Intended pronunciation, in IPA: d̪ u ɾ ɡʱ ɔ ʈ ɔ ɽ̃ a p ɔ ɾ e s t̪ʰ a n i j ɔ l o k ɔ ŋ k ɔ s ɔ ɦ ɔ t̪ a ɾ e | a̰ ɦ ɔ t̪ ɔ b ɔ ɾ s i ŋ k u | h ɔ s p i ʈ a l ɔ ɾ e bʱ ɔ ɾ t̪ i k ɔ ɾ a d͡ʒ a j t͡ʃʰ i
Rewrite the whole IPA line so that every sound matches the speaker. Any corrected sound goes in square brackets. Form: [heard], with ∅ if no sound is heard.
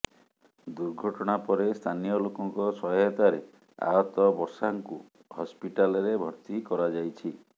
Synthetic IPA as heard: d̪ u ɾ ɡʱ ɔ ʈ ɔ ɽ̃ a p ɔ ɾ e s t̪ʰ a n i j ɔ l o k ɔ ŋ k ɔ s ɔ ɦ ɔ t̪ a ɾ e | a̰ ɦ ɔ t̪ ɔ b ɔ ɾ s [a] ŋ k u | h ɔ s p i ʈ a l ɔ ɾ e bʱ ɔ ɾ t̪ i k ɔ ɾ a d͡ʒ a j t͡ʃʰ i